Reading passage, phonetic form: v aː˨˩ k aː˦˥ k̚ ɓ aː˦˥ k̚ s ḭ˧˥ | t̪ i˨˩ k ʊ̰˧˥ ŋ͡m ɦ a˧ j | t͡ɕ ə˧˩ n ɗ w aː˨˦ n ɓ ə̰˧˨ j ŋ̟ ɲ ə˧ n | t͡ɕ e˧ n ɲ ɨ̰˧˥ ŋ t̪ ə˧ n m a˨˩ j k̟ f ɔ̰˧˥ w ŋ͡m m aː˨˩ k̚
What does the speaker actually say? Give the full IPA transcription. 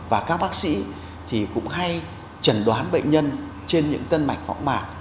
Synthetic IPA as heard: v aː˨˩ k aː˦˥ k̚ ɓ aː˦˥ k̚ s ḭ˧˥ | t̪ʰ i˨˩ k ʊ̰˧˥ ŋ͡m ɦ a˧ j | t͡ɕ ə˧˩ n ɗ w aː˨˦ n ɓ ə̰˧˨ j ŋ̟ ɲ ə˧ n | t͡ɕ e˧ n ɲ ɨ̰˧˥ ŋ t̪ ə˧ n m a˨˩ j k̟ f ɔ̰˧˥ w ŋ͡m m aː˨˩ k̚